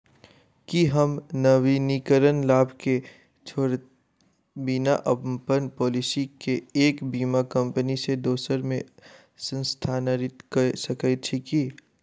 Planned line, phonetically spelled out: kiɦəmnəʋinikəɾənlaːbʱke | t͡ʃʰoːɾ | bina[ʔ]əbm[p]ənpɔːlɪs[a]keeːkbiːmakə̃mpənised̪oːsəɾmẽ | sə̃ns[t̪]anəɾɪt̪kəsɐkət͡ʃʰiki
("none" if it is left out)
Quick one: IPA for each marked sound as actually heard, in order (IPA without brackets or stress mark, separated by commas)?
ʔ, p, i, t̪ʰ